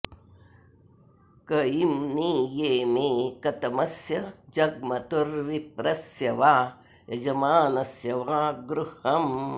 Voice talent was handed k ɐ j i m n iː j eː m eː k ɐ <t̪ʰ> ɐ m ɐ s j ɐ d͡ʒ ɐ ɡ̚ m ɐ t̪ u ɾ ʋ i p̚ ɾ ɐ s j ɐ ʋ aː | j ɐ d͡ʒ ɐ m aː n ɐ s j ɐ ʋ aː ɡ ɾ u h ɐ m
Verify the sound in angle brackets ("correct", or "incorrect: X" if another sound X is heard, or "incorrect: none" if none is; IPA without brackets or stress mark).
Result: incorrect: t̪